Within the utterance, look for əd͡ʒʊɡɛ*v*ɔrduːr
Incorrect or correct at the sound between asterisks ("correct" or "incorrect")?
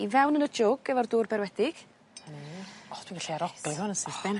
correct